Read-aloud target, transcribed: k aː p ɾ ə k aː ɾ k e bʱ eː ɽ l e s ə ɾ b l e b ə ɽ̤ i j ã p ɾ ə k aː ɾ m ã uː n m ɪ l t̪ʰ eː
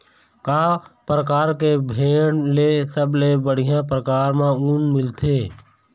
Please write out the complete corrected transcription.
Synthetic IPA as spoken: k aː p ɾ ə k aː ɾ k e bʱ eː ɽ l e s ə b l e b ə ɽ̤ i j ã p ɾ ə k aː ɾ m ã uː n m ɪ l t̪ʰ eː